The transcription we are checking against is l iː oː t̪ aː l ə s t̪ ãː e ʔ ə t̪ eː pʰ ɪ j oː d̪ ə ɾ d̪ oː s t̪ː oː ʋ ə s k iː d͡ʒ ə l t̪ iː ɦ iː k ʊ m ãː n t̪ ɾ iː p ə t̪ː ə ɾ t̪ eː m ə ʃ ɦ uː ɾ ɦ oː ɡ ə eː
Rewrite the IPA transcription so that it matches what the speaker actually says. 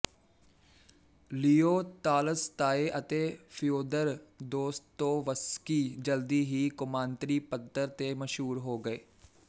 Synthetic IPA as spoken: l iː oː t̪ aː l ə s t̪ aː e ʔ ə t̪ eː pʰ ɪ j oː d̪ ə ɾ d̪ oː s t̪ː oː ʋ ə s k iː d͡ʒ ə l d̪ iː ɦ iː k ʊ m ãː n t̪ ɾ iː p ə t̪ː ə ɾ t̪ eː m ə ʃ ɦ uː ɾ ɦ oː ɡ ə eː